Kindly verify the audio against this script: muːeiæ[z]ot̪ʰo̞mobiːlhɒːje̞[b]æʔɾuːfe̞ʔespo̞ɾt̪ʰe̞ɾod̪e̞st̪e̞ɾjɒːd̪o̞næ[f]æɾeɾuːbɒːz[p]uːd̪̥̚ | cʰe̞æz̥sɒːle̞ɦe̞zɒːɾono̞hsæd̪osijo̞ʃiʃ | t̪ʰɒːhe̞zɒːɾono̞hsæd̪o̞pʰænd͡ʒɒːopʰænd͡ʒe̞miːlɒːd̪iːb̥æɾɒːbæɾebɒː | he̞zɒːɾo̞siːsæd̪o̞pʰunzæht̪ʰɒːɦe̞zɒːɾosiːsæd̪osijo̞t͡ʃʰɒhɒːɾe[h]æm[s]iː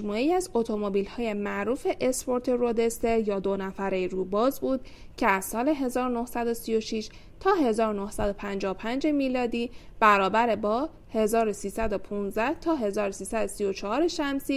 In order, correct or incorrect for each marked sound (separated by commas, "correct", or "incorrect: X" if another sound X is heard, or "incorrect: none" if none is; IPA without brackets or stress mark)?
correct, incorrect: m, correct, incorrect: b, incorrect: ʃ, correct